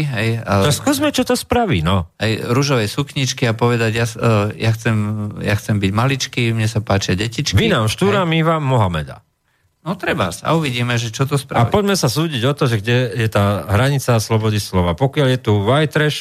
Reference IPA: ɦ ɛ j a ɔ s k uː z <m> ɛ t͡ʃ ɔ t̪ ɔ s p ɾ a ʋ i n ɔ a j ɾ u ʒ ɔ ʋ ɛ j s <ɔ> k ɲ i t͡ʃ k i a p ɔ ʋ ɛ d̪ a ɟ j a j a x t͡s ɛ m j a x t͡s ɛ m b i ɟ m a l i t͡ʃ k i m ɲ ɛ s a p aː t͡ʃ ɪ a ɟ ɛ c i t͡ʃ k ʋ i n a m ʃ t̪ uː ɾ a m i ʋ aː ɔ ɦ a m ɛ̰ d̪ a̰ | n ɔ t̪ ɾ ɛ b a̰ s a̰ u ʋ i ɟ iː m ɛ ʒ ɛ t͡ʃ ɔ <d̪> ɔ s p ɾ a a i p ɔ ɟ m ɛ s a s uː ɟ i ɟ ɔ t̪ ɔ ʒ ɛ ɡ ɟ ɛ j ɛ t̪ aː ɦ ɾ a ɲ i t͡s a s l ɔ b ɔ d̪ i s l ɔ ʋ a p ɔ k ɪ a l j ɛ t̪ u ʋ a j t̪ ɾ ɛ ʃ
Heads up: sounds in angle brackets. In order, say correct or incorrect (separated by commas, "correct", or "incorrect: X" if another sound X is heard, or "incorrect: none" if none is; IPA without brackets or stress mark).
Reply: correct, incorrect: u, incorrect: t̪